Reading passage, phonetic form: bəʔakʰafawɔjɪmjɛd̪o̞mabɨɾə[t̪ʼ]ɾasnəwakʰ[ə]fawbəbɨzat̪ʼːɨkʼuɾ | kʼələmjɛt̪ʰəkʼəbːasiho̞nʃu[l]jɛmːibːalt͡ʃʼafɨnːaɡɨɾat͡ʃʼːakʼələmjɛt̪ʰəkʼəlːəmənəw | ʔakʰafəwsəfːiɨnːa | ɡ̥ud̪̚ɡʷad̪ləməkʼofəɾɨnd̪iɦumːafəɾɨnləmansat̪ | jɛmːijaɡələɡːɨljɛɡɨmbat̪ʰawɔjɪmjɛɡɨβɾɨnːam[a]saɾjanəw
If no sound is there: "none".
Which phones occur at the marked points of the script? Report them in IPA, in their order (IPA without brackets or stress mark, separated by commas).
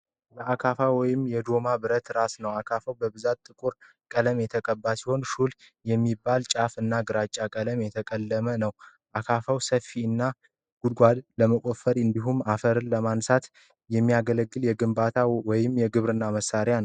t̪, a, l, ə